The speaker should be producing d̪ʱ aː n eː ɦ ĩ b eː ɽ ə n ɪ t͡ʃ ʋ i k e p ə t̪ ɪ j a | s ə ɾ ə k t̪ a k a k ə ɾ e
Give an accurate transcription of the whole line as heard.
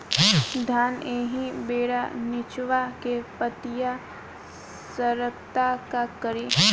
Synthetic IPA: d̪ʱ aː n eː ɦ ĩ b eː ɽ a n ɪ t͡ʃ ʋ a k e p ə t̪ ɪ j a | s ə ɾ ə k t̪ a k a k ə ɾ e